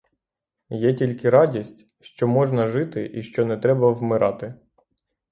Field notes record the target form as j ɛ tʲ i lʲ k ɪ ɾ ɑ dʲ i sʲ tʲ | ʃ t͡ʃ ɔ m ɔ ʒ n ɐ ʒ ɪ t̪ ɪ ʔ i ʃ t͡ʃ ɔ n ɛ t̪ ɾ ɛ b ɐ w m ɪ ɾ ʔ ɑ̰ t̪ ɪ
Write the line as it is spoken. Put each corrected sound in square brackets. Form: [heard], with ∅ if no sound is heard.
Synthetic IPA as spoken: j ɛ tʲ i lʲ k ɪ ɾ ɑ dʲ i sʲ tʲ | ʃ t͡ʃ ɔ m ɔ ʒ n ɐ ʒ ɪ t̪ ɪ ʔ i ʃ t͡ʃ ɔ n ɛ t̪ ɾ ɛ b ɐ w m ɪ ɾ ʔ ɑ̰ t̪ ɪ